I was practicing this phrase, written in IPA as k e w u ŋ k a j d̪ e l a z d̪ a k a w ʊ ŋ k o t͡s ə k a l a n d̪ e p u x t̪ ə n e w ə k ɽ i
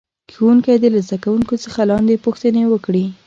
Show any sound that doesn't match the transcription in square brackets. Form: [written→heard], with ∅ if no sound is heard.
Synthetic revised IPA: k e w u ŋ k a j d̪ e l a z d̪ a k a w [ʊ→u] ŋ k o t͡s ə [k→x] a l [a→ɑ] n d̪ e p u x t̪ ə n e w ə k ɽ i